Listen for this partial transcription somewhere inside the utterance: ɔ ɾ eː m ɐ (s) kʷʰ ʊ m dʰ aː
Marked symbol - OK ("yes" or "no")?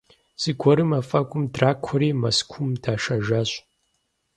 yes